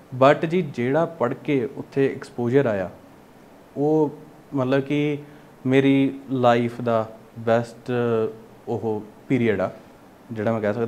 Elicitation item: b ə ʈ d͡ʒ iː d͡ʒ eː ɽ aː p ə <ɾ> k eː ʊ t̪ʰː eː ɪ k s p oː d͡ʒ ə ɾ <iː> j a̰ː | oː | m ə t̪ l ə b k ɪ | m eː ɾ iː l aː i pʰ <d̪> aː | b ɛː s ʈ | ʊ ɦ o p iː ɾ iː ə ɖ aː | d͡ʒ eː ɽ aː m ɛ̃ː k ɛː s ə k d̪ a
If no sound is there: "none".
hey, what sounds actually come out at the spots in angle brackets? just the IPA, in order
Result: ɽ, aː, d̪

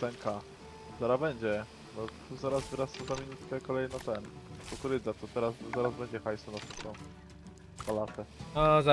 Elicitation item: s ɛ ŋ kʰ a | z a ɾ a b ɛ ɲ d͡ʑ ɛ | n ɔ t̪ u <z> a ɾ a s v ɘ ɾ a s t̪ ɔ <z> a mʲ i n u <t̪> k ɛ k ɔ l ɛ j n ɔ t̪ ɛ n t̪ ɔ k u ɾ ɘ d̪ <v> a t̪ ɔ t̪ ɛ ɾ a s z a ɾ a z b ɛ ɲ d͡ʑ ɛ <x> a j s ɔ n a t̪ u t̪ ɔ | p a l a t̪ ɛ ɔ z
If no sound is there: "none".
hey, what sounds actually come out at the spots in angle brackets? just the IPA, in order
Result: z, z, t̪, z, x

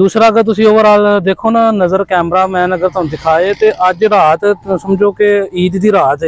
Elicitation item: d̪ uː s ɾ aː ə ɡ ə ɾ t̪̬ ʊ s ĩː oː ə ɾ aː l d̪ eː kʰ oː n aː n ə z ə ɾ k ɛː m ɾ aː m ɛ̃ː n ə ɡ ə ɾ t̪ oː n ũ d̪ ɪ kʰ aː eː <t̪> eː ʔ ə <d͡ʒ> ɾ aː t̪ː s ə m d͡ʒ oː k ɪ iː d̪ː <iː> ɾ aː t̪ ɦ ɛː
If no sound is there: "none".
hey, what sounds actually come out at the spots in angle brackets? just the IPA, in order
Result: t̪, d͡ʒ, iː

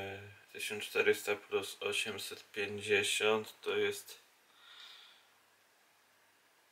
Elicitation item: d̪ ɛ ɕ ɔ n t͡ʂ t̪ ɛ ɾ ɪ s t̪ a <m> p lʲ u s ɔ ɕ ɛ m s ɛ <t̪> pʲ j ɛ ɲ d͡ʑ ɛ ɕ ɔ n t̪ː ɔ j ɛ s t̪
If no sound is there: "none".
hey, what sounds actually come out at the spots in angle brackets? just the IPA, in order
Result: none, t̪

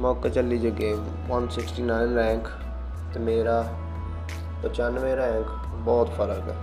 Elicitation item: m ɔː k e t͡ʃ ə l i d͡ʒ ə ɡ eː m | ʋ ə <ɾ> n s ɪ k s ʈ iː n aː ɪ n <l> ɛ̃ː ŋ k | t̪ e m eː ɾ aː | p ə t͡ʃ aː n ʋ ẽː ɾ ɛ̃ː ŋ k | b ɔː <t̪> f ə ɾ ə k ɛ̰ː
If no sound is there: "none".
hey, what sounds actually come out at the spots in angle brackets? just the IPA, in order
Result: none, ɾ, t̪

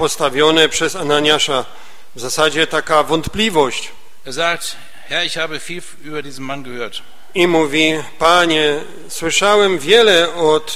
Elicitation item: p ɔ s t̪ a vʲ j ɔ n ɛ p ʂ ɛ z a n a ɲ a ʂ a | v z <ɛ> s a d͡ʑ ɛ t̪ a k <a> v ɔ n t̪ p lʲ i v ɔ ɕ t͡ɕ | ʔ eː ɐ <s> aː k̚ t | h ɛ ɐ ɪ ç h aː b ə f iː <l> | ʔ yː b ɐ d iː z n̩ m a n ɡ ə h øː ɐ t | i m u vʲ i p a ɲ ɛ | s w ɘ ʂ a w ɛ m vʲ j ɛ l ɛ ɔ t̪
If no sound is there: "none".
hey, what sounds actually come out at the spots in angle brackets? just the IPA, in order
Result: a, a, z, l

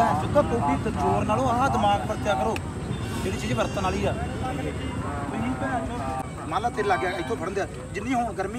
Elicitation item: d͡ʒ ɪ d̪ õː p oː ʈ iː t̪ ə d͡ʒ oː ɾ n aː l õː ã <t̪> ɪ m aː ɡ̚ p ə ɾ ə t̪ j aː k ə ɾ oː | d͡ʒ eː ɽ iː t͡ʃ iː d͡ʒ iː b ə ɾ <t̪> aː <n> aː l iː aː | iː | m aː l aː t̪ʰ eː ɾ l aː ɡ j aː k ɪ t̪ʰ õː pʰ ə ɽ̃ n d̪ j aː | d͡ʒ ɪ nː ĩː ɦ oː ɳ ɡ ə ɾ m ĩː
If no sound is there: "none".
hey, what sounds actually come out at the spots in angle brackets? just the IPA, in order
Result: d̪, t̪, n

